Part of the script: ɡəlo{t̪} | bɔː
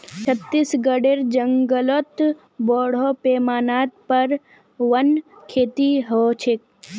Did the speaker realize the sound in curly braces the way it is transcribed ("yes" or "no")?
yes